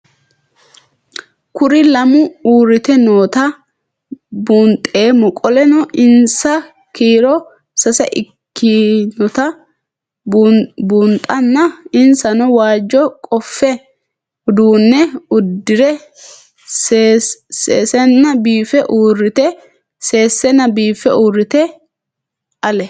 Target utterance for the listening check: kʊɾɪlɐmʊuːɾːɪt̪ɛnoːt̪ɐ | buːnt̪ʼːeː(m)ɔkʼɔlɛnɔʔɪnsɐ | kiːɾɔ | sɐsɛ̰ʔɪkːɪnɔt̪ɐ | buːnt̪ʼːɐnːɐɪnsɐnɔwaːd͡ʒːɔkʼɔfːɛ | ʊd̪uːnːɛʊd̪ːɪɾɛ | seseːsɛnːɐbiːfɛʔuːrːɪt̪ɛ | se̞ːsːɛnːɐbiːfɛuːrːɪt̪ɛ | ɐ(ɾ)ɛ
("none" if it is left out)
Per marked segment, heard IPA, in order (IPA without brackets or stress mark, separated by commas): m, l